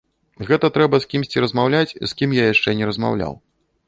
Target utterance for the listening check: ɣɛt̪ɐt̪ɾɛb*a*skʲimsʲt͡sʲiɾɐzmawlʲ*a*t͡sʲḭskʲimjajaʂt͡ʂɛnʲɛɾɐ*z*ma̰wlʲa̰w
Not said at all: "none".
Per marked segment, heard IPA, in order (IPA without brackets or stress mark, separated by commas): ɐ, a, z